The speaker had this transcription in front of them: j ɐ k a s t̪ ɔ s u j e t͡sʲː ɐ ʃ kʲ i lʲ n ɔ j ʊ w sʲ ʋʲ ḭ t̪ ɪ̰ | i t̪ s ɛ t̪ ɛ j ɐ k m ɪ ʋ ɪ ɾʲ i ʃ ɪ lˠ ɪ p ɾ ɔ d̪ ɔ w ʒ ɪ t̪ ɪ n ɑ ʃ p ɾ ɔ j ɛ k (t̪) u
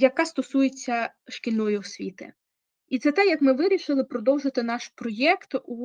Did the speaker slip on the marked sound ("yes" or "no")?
no